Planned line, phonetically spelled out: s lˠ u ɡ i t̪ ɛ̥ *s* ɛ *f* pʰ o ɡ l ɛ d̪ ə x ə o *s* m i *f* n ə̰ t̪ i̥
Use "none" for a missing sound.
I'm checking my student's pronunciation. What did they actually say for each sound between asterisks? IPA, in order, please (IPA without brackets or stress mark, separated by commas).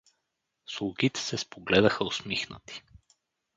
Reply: s, s, s, x